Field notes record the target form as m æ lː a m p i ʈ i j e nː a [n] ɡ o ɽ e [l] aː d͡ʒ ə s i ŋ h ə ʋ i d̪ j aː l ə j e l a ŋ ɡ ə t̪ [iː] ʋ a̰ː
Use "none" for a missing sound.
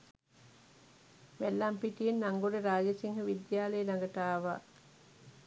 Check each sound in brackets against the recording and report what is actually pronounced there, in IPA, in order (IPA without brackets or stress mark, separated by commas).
ŋ, ɾ, aː